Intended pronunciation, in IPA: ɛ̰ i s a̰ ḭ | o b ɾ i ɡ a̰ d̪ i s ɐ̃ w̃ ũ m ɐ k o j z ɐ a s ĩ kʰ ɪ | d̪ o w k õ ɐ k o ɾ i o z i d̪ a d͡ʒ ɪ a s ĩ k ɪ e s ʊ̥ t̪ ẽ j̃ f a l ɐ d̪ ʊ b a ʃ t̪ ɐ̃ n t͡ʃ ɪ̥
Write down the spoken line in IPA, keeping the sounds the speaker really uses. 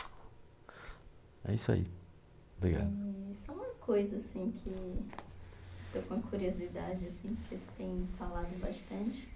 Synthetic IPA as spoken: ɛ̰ i s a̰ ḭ | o b ɾ i ɡ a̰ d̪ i s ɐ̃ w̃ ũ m ɐ k o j z ɐ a s ĩ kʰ ɪ | t̪ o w k õ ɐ k u ɾ i o z i d̪ a d͡ʒ ɪ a s ĩ k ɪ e s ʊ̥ t̪ ẽ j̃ f a l a d̪ ʊ b a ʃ t̪ ɐ̃ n t͡ʃ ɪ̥

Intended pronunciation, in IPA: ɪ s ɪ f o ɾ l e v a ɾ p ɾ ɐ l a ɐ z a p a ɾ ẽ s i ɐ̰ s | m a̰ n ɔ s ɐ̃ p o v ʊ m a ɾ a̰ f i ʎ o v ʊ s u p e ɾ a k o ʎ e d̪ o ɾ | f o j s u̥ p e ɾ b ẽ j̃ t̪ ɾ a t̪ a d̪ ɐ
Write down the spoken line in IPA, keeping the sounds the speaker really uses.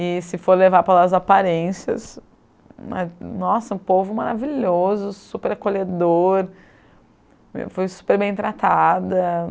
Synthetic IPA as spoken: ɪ s ɪ f o ɾ l e v a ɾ p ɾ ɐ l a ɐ z a p a ɾ ẽ s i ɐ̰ s | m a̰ n ɔ s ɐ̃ p o v ʊ m a ɾ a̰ v i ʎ o z ʊ s u p e ɾ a k o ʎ e d̪ o ɾ | f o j s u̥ p e ɾ b ẽ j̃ t̪ ɾ a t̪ a d̪ ɐ

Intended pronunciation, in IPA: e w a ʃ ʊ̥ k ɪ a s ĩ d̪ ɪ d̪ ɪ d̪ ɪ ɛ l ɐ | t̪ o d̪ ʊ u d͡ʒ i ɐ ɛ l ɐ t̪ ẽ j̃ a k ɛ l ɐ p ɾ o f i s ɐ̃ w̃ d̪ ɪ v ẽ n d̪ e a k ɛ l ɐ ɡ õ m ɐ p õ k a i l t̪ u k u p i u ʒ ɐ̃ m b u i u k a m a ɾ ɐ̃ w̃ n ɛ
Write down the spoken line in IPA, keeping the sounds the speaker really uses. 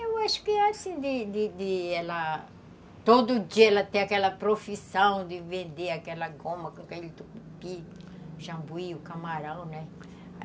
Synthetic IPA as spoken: e w a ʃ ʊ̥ k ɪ a s ĩ d̪ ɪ d̪ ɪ d̪ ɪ ɛ l ɐ | t̪ o d̪ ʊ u d͡ʒ i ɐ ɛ l ɐ t̪ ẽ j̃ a k ɛ l ɐ p ɾ o f i s ɐ̃ w̃ d̪ ɪ v ẽ n d̪ e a k ɛ l ɐ ɡ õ m ɐ k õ k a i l t̪ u k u p i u ʒ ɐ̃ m b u i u k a m a ɾ ɐ̃ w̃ n ɛ

